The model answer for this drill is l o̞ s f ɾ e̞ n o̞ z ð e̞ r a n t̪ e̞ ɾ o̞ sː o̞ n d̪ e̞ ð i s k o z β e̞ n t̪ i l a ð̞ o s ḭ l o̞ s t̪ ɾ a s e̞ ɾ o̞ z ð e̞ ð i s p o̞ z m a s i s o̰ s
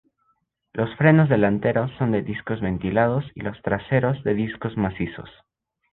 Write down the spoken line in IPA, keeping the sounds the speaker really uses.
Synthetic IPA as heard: l o̞ s f ɾ e̞ n o̞ z ð e̞ l a n t̪ e̞ ɾ o̞ sː o̞ n d̪ e̞ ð i s k o z β e̞ n t̪ i l a ð̞ o s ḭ l o̞ s t̪ ɾ a s e̞ ɾ o̞ z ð e̞ ð i s k o̞ z m a s i s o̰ s

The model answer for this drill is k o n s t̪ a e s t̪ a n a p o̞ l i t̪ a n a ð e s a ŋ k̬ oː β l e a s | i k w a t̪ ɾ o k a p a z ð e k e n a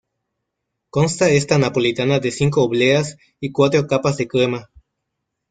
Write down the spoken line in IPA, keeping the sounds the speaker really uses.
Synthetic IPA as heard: k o n s t̪ a e s t̪ a n a p o̞ l i t̪ a n a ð e s i ŋ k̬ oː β l e a s | i k w a t̪ ɾ o k a p a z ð e k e m a

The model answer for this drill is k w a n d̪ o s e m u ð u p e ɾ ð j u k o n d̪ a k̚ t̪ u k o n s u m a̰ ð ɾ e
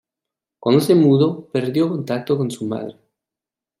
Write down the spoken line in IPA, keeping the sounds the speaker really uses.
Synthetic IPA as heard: k w a n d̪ o s e m u ð o p e ɾ ð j o k o n t̪ a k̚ t̪ o k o n s u m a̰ ð ɾ e

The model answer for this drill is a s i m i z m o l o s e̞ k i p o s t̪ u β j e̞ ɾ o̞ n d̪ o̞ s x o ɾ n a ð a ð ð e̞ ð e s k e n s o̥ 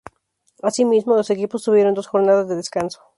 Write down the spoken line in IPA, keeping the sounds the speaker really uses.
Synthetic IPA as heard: a s i m i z m o l o s e̞ k i p o s t̪ u β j e̞ ɾ o̞ n d̪ o̞ s x o ɾ n a ð a z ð e̞ ð e s k a n s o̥

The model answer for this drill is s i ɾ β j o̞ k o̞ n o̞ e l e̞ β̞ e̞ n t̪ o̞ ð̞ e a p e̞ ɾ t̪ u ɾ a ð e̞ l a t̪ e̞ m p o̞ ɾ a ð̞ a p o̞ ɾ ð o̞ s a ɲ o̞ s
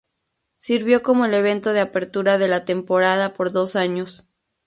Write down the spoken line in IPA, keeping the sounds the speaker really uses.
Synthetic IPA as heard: s i ɾ β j o̞ k o̞ m o̞ e l e̞ β̞ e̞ n t̪ o̞ ð̞ e a p e̞ ɾ t̪ u ɾ a ð e̞ l a t̪ e̞ m p o̞ ɾ a ð̞ a p o̞ ɾ ð o̞ s a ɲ o̞ s

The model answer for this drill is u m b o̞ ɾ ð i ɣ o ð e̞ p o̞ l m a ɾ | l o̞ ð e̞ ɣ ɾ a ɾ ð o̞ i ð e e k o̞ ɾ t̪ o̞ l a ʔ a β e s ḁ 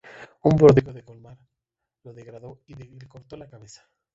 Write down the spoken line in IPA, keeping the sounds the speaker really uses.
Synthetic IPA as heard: u m b o̞ ɾ ð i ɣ o ð e̞ k o̞ l m a ɾ | l o̞ ð e̞ ɣ ɾ a ð o̞ i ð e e k o̞ ɾ t̪ o̞ l a k a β e s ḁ

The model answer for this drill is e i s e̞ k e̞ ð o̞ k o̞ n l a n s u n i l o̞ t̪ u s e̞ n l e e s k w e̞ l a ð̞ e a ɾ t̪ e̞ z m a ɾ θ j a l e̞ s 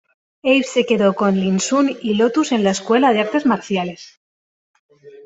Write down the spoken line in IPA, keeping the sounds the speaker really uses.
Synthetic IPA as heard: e j s e̞ k e̞ ð o̞ k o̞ n l i n s u n i l o̞ t̪ u s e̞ n l a e s k w e̞ l a ð̞ e a ɾ t̪ e̞ z m a ɾ θ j a l e̞ s

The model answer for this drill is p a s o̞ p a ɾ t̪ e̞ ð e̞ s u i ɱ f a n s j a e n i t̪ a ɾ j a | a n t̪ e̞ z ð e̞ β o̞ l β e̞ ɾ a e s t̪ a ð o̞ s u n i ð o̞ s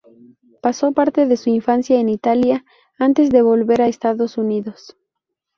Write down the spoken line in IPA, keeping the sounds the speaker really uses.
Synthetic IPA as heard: p a s o̞ p a ɾ t̪ e̞ ð e̞ s u i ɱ f a n s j a e n i t̪ a l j a | a n t̪ e̞ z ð e̞ β o̞ l β e̞ ɾ a e s t̪ a ð o̞ s u n i ð o̞ s

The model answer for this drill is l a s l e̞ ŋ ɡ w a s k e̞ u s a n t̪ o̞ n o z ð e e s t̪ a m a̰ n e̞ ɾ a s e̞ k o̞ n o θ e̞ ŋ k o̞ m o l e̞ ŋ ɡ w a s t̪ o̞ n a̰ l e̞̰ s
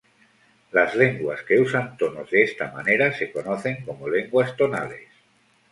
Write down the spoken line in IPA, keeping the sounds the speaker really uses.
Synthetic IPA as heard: l a z l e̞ ŋ ɡ w a s k e̞ u s a n t̪ o̞ n o z ð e e s t̪ a m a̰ n e̞ ɾ a s e̞ k o̞ n o θ e̞ ŋ k o̞ m o l e̞ ŋ ɡ w a s t̪ o̞ n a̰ l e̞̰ s

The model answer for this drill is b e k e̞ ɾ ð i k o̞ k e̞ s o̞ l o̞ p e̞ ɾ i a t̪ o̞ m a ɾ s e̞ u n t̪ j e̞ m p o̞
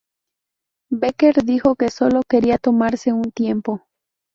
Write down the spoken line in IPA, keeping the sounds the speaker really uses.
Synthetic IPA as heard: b e k e̞ ɾ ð i x o̞ k e̞ s o̞ l o̞ k e̞ ɾ i a t̪ o̞ m a ɾ s e̞ u n t̪ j e̞ m p o̞

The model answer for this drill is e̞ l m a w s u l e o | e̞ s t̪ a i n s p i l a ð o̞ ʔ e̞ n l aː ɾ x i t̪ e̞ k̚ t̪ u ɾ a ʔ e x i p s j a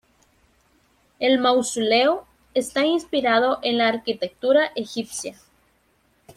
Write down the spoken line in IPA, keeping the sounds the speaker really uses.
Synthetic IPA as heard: e̞ l m a w s u l e o | e̞ s t̪ a i n s p i ɾ a ð o̞ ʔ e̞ n l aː ɾ k i t̪ e̞ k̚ t̪ u ɾ a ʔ e x i p s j a

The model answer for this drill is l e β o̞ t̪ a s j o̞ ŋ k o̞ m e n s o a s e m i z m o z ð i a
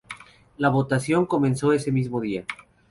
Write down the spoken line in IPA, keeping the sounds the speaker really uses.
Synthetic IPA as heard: l a β o̞ t̪ a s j o̞ ŋ k o̞ m e n s o e s e m i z m o ð i a

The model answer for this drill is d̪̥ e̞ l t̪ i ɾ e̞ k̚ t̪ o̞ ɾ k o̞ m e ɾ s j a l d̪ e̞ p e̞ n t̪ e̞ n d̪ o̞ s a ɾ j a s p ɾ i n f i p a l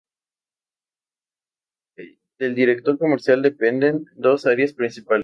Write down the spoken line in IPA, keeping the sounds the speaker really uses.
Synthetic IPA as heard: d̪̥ e̞ l d̪ i ɾ e̞ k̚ t̪ o̞ ɾ k o̞ m e ɾ s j a l d̪ e̞ p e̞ n d̪ e̞ n d̪ o̞ s a ɾ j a s p ɾ i n s i p a l

